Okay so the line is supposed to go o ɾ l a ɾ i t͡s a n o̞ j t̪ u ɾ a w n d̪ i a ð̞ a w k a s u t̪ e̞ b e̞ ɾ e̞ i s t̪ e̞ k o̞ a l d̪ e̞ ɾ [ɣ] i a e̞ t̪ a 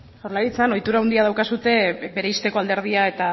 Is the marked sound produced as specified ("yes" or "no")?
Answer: no